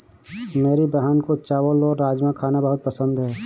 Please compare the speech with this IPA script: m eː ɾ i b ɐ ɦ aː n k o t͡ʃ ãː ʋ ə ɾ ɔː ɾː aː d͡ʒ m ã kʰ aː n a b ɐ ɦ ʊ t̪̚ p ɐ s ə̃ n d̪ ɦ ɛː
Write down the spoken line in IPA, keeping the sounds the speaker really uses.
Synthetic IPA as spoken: m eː ɾ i b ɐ ɦ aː n k o t͡ʃ aː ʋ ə l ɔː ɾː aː d͡ʒ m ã kʰ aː n a b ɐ ɦ ʊ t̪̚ p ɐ s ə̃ n d̪ ɦ ɛː